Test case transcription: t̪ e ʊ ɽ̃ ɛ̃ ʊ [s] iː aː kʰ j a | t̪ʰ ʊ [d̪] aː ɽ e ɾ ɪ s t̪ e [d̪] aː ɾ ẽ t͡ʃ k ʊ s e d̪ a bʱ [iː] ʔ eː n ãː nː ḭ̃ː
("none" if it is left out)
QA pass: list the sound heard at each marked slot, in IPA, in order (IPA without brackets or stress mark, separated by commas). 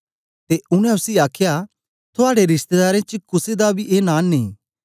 s, none, d̪, i